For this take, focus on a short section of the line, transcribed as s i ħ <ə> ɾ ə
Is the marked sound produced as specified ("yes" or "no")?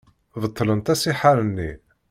no